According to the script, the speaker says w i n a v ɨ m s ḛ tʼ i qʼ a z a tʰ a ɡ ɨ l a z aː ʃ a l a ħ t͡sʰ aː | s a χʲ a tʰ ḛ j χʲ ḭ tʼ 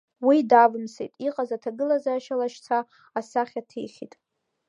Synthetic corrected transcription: w i d a v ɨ m s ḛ tʼ i qʼ a z a tʰ a ɡ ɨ l a z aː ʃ a l a ʃ t͡sʰ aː | s a χʲ a tʰ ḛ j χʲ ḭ tʼ

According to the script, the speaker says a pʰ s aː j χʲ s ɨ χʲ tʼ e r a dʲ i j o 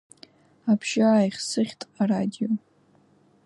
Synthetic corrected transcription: a pʰ ʃ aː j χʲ s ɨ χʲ tʼ a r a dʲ i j o

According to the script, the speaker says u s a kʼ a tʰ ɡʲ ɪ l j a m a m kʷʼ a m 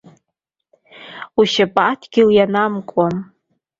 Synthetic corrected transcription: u ʃ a pʼ a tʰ ɡʲ ɪ l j a n a m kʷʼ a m

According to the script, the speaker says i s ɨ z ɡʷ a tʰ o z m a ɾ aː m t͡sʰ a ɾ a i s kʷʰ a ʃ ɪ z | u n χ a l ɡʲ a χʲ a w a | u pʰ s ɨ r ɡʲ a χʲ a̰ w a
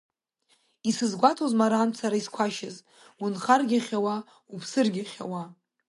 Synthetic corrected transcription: i s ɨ z ɡʷ a tʰ o z m a ɾ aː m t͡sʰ a ɾ a i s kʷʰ a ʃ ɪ z | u n χ a r ɡʲ a χʲ a w a | u pʰ s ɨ r ɡʲ a χʲ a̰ w a

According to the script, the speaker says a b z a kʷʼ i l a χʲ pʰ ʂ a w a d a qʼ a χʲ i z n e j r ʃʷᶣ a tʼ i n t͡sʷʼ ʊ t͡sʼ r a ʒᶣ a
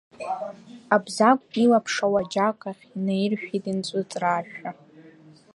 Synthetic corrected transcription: a b z a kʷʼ i l a pʰ ʂ a w a d͡ʒ a kʼ a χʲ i n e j r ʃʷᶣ i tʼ i n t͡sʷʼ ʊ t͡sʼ r a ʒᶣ a

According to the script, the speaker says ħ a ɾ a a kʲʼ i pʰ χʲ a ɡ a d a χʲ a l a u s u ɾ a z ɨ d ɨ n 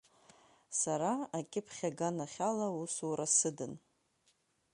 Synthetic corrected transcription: s a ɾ a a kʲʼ ɪ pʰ χʲ a ɡ a n a χʲ a l a u s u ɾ a s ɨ d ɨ n

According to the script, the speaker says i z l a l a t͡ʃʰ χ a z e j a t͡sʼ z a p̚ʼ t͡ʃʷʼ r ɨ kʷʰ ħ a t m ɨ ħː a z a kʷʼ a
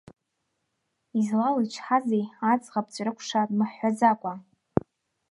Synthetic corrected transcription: i z l a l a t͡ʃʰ ħ a z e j a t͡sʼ ʁ a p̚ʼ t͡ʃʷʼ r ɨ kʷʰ ʂ a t m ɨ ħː a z a kʷʼ a

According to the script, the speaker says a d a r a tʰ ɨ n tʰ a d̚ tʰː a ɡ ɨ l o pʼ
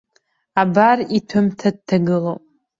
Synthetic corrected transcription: a b a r i tʰ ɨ m tʰ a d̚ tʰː a ɡ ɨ l o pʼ

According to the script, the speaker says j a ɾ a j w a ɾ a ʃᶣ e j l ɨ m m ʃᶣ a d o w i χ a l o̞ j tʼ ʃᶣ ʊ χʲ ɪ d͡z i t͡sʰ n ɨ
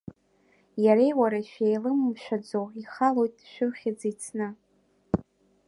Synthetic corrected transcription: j a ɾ e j w a ɾ a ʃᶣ e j l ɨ m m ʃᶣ a d͡z o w i χ a l o̞ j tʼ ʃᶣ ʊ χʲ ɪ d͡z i t͡sʰ n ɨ

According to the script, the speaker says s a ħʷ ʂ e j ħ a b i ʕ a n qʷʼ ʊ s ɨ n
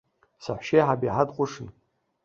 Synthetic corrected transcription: s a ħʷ ʃ e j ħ a b i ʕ a d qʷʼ ʊ ʂ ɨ n

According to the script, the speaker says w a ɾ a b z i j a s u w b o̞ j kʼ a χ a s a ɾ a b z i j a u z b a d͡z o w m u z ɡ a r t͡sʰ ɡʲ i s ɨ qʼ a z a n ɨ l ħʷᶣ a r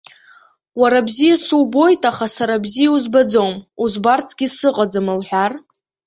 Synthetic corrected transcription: w a ɾ a b z i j a s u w b o̞ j tʼ a χ a s a ɾ a b z i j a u z b a d͡z o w m u z b a r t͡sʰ ɡʲ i s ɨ qʼ a d͡z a m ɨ l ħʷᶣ a r

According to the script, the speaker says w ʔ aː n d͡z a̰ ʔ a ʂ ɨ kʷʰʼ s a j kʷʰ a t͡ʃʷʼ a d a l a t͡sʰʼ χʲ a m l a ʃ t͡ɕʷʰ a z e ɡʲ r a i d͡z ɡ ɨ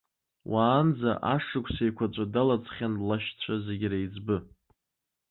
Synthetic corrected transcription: w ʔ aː n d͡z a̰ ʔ a ʂ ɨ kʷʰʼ s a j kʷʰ a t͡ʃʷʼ a d a l a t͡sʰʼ χʲ a n l a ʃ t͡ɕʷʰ a z e ɡʲ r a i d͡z b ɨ

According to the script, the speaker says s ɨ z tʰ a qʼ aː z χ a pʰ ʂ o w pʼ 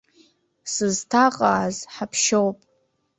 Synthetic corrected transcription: s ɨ z tʰ a qʼ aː z ħ a pʰ ʃ o w pʼ

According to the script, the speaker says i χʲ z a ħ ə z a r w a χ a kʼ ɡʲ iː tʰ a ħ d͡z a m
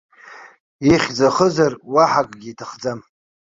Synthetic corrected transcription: i χʲ d͡z a χ ə z a r w a ħ a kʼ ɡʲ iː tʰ a χ d͡z a m

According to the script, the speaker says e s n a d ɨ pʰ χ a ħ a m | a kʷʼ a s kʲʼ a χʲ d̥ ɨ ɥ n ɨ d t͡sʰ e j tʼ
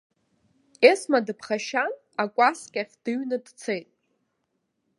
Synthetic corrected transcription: e s m a d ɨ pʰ χ a ʃ a n | a kʷʼ a s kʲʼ a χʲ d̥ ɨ ɥ n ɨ d t͡sʰ e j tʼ

